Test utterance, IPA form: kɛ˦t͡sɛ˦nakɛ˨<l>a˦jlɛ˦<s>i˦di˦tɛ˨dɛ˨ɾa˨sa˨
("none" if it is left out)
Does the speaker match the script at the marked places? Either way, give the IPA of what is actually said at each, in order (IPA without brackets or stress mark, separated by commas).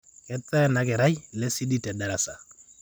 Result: ɾ, s